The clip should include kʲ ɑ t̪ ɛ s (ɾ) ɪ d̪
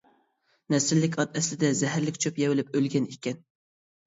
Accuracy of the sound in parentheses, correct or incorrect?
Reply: incorrect